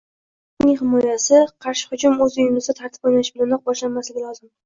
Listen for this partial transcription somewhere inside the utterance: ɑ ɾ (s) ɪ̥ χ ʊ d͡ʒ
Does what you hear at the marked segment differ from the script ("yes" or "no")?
yes